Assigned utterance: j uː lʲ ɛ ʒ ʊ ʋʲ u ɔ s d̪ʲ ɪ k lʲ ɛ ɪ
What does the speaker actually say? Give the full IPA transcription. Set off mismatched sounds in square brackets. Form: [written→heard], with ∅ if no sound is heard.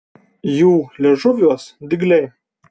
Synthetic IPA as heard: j uː lʲ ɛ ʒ ʊ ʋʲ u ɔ s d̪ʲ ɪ [k→ɡ] lʲ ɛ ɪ